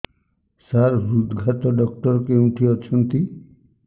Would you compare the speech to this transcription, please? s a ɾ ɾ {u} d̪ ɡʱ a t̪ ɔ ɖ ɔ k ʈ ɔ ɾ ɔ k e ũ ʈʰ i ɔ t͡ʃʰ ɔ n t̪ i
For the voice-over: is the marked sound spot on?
yes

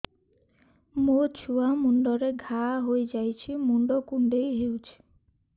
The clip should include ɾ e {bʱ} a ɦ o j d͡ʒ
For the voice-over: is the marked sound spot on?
no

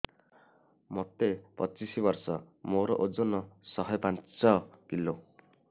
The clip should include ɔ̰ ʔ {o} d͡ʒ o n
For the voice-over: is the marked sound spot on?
yes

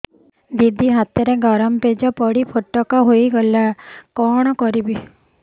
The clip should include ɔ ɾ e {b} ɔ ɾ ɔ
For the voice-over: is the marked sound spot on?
no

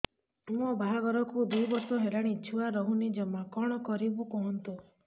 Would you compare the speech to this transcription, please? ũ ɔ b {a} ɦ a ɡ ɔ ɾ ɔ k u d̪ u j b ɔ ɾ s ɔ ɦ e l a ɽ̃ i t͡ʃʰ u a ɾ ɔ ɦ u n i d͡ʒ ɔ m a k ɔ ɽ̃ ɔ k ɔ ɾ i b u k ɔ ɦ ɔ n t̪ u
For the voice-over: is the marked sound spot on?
yes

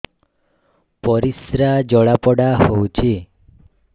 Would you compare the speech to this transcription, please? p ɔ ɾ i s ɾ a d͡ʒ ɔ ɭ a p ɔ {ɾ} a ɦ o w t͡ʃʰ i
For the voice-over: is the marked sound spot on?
no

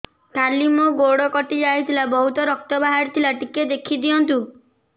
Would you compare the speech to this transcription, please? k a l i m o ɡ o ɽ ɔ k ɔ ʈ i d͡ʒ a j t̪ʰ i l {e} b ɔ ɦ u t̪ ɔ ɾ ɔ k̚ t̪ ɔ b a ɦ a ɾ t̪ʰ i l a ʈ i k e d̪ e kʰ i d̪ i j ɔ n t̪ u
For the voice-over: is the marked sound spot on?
no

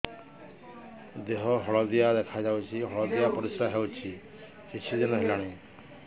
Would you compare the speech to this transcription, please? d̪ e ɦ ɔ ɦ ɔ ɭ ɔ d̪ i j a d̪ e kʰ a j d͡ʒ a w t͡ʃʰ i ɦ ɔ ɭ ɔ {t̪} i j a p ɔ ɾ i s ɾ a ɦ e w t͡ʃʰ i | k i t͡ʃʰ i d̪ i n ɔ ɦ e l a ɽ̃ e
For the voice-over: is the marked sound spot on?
no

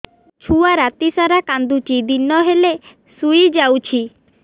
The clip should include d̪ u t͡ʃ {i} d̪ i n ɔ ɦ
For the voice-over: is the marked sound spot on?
yes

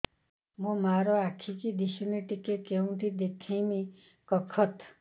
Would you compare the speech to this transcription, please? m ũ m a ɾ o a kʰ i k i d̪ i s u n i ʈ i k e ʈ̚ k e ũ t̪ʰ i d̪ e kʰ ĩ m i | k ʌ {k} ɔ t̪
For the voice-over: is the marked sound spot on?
no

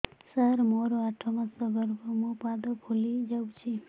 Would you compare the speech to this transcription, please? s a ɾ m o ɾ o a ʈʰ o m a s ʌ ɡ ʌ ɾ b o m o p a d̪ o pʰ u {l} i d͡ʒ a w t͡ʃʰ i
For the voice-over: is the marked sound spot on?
yes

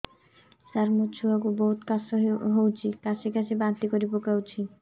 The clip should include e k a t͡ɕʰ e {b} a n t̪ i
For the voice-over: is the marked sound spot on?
yes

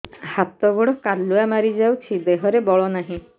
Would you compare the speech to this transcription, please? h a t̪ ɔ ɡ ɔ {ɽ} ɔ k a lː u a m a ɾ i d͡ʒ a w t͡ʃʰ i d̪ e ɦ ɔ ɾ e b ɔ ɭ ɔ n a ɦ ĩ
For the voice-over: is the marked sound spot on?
yes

